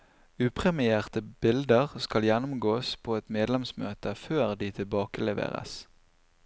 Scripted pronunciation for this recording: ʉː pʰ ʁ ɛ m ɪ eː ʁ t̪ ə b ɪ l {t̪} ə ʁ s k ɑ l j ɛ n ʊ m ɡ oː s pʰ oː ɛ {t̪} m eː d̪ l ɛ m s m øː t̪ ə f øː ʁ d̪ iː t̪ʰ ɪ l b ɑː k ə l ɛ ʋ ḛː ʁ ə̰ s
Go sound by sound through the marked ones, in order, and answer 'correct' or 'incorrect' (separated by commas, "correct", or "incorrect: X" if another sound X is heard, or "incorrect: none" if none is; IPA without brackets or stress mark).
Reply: incorrect: d̪, correct